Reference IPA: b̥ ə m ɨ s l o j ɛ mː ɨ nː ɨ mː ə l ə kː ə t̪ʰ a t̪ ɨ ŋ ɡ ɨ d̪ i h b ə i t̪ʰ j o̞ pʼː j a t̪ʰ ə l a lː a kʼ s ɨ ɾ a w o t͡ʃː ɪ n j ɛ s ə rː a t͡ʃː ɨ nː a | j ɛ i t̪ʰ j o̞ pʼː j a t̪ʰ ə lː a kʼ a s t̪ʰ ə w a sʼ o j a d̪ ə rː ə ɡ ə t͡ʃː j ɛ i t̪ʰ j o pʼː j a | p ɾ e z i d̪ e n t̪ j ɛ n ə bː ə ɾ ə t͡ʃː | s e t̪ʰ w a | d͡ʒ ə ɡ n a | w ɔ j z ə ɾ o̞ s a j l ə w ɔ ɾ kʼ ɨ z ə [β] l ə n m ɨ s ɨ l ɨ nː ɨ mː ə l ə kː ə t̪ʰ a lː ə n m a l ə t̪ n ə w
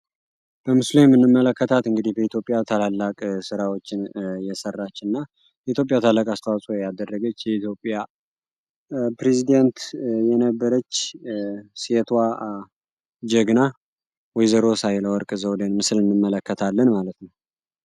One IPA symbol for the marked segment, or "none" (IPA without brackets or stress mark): w